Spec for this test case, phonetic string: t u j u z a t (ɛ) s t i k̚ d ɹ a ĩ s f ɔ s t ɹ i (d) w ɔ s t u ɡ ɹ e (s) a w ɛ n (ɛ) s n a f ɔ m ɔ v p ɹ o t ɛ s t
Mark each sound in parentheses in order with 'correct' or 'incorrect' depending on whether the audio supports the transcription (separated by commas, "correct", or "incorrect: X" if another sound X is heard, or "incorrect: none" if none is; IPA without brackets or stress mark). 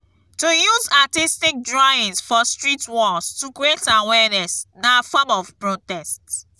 incorrect: i, incorrect: t, incorrect: t, correct